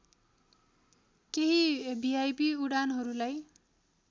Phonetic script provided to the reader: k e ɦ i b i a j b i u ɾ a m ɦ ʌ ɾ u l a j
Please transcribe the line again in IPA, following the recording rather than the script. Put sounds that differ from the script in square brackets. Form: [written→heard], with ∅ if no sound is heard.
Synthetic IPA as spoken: k e ɦ i b i a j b i u [ɾ→ɽ] a [m→n] ɦ ʌ ɾ u l a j